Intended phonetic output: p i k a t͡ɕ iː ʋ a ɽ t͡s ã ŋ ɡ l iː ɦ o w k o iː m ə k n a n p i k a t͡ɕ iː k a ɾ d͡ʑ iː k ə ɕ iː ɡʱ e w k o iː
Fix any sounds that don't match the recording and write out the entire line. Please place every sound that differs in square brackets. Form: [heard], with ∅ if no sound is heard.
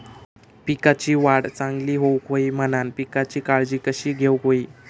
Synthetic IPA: p i k a t͡ɕ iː ʋ a ɽ t͡s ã ŋ ɡ l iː ɦ o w k o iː m ə [∅] n a n p i k a t͡ɕ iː k a [ɭ] d͡ʑ iː k ə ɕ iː ɡʱ e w k o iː